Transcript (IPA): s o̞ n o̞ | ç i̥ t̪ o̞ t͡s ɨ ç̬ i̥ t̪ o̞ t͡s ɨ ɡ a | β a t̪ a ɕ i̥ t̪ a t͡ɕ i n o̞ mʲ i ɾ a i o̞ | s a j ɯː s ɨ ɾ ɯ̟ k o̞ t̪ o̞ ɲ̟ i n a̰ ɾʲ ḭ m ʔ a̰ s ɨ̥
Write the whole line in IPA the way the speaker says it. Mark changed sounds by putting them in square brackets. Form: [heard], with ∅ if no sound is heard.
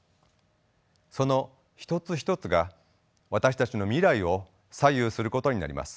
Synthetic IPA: s o̞ n o̞ | ç i̥ t̪ o̞ t͡s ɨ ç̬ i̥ t̪ o̞ t͡s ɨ ɡ a | β a t̪ a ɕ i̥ t̪ a t͡ɕ i n o̞ mʲ i ɾ a i o̞ | s a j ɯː s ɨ ɾ ɯ̟ k o̞ t̪ o̞ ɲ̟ i n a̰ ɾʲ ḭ m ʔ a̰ s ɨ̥